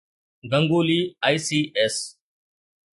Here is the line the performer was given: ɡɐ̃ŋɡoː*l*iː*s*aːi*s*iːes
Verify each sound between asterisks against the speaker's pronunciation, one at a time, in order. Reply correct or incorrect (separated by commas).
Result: correct, incorrect, correct